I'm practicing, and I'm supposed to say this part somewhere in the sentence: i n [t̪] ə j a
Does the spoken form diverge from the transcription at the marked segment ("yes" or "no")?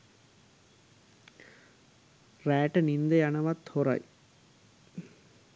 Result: yes